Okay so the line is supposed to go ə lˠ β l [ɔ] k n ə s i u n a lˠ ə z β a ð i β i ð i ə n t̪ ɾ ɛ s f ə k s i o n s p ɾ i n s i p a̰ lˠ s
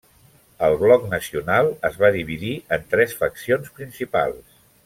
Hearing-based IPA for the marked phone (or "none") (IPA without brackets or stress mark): ɔ